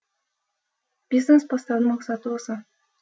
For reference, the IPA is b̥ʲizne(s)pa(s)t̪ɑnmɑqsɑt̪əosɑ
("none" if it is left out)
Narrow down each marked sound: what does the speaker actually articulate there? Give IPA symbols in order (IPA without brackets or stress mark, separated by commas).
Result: s, s